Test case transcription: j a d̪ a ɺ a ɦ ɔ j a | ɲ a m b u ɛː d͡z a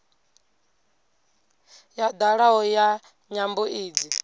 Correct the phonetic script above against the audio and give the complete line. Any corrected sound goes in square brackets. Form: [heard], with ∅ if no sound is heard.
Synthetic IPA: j a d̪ a ɺ a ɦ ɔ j a | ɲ a m b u [iː] d͡z [i]